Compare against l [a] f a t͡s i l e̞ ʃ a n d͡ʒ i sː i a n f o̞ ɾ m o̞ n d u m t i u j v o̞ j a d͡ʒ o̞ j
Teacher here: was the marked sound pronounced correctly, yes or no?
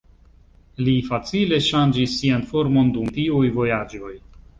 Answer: no